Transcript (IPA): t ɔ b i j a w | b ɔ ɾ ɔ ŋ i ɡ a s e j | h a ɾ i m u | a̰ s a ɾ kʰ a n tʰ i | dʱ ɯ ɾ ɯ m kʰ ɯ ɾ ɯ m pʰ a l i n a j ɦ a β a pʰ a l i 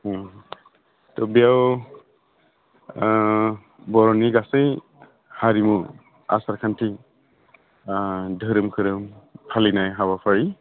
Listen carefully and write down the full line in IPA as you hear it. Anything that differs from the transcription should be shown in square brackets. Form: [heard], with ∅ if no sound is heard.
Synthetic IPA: t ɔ b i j a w | b ɔ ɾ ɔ [n] i ɡ a s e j | h a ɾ i m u | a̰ s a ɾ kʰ a n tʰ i | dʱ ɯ ɾ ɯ m kʰ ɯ ɾ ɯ m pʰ a l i n a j ɦ a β a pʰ a [ɹ] i